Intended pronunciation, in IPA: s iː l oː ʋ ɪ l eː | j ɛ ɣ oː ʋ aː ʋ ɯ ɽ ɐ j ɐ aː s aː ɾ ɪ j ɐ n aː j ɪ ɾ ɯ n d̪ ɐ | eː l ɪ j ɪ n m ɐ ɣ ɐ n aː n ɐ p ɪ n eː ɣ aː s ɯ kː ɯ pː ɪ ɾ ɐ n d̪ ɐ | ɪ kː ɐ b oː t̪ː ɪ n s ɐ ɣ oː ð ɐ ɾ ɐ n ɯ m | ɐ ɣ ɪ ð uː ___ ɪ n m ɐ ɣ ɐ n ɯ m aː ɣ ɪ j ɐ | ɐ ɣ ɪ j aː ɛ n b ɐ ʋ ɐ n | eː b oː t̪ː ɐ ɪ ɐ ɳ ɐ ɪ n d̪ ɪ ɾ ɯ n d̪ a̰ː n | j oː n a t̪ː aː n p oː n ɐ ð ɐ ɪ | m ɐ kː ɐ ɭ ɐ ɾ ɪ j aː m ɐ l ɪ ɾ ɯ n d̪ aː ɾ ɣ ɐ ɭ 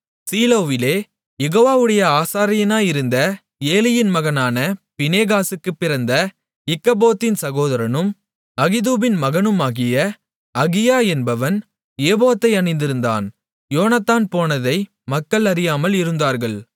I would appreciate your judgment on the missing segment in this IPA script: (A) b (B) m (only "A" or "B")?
A